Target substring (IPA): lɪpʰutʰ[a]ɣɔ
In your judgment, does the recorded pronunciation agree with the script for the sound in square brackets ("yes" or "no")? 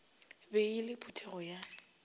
no